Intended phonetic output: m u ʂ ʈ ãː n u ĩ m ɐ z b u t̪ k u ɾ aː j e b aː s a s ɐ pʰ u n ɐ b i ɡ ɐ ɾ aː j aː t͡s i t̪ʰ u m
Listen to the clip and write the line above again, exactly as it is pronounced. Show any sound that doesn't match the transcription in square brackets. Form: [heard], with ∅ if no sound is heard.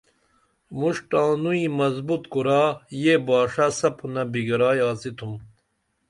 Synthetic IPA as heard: m u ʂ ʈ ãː n u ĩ m ɐ z b u t̪ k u ɾ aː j e b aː [ʂ] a s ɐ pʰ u n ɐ b i ɡ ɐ ɾ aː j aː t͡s i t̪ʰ u m